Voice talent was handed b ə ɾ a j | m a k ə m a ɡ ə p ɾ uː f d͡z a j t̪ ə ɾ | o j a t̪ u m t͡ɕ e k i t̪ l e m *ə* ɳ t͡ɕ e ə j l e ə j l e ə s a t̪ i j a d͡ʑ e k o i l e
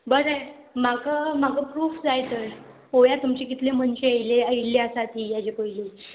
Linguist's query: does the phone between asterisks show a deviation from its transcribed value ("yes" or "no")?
no